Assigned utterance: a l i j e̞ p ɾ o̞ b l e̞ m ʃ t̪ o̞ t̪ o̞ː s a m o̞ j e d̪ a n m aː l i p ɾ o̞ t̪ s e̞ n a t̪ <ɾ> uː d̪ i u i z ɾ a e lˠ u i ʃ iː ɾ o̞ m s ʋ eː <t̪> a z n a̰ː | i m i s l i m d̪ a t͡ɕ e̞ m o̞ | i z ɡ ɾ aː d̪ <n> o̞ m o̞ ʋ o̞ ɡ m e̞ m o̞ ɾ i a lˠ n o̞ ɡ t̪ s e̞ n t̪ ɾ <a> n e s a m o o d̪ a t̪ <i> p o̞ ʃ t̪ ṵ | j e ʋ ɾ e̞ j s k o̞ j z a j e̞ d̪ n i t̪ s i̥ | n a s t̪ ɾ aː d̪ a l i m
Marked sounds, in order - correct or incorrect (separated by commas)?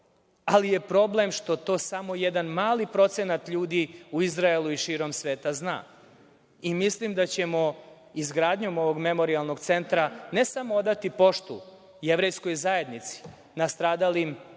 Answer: incorrect, correct, incorrect, correct, correct